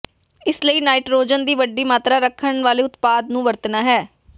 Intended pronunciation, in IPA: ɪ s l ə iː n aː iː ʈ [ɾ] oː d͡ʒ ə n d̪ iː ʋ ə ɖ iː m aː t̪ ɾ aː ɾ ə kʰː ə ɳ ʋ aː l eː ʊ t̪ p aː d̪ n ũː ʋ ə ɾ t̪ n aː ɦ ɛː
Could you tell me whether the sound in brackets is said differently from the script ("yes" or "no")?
no